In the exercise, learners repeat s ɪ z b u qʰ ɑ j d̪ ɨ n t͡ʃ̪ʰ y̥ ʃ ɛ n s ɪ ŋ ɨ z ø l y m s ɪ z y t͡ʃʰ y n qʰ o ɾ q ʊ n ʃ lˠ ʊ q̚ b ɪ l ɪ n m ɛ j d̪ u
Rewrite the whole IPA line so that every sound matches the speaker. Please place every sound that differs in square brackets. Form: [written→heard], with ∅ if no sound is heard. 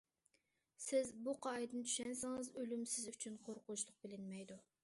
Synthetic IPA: s ɪ z b u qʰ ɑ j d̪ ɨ n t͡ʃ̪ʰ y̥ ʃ ɛ n s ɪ ŋ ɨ z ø l y m s ɪ z y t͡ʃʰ y n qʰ o ɾ q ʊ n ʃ lˠ ʊ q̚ b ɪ l ɪ n m ɛ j d̪ u